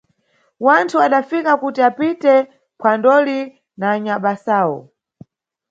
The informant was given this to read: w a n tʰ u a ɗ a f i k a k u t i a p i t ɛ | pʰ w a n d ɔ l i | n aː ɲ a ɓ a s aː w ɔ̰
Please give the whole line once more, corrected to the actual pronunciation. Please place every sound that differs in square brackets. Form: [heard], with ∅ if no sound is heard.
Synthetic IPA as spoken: w a n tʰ u a ɗ a f i k a k u t i a p i t ɛ | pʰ w a n d ɔ l i | n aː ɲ a ɓ a s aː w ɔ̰